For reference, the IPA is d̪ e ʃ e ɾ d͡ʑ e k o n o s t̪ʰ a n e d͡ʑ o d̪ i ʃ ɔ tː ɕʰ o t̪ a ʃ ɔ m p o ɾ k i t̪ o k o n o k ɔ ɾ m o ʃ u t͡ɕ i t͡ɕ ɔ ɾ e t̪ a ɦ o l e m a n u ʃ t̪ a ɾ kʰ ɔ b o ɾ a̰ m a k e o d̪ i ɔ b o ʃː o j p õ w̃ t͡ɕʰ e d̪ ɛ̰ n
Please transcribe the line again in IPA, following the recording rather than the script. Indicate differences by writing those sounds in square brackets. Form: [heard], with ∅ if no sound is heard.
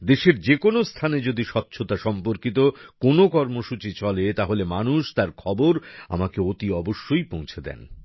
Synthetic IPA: d̪ e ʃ e ɾ d͡ʑ e k o n o s t̪ʰ a n e d͡ʑ o d̪ i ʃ ɔ tː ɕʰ o t̪ a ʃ ɔ m p o ɾ k i t̪ o k o n o k ɔ ɾ m o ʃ u t͡ɕ i t͡ɕ ɔ [l] e t̪ a ɦ o l e m a n u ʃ t̪ a ɾ kʰ ɔ b o ɾ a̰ m a k e o [t̪] i ɔ b o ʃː o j p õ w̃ t͡ɕʰ e d̪ ɛ̰ n